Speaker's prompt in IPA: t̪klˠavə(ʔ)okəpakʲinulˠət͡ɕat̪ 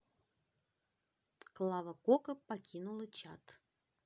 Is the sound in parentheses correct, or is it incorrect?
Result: incorrect